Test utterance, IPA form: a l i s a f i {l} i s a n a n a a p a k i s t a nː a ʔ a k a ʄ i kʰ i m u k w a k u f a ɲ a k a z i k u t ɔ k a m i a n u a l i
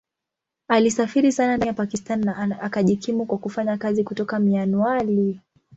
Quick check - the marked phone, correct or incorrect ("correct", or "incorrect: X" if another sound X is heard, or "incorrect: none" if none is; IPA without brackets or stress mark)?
incorrect: ɾ